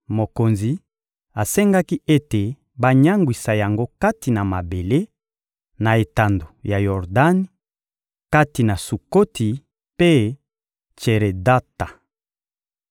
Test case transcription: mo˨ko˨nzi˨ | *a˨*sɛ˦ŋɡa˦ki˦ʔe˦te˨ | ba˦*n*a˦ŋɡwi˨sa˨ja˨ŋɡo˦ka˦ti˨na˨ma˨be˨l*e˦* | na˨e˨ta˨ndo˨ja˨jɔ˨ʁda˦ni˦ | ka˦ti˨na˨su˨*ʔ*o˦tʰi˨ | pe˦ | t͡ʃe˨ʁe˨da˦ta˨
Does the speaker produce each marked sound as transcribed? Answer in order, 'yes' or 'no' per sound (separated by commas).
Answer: yes, no, yes, no